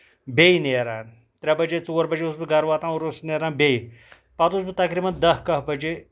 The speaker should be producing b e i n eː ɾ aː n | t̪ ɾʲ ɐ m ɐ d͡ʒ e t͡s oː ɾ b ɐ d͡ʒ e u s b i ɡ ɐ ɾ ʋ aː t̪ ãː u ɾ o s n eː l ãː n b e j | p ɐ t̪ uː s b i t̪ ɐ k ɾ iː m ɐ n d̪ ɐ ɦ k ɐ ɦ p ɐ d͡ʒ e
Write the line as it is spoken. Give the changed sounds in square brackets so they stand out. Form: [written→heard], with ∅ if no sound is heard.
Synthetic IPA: b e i n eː ɾ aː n | t̪ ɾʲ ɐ [m→b] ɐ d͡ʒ e t͡s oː ɾ b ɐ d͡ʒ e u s b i ɡ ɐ ɾ ʋ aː t̪ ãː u ɾ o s n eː [l→ɾ] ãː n b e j | p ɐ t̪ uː s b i t̪ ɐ k ɾ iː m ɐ n d̪ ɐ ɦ k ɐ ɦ [p→b] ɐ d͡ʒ e